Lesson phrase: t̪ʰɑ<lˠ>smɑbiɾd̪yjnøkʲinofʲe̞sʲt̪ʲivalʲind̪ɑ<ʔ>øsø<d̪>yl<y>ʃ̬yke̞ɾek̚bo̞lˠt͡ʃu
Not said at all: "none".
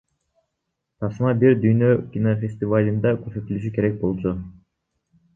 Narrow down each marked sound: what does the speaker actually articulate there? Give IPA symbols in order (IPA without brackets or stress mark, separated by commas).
none, k, t̪, y